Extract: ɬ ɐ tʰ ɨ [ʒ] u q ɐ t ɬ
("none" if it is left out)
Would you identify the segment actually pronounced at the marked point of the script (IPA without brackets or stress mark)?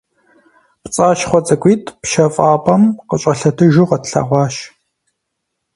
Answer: ʒ